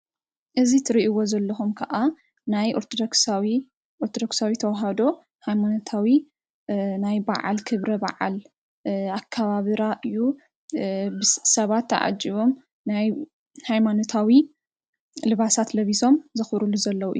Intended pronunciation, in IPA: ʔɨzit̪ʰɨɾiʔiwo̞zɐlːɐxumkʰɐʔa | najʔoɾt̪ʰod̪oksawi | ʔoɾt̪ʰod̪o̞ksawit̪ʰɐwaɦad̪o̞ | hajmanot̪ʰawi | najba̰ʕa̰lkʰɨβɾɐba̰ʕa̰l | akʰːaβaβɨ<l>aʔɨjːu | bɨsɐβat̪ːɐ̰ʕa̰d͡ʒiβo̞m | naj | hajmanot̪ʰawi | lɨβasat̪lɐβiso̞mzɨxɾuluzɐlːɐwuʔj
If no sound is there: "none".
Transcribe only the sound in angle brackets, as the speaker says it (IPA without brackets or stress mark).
ɾ